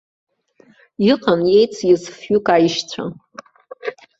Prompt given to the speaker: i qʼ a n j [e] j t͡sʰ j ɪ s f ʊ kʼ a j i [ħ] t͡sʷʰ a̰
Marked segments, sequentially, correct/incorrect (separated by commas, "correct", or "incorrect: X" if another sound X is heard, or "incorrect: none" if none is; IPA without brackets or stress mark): correct, incorrect: ʃ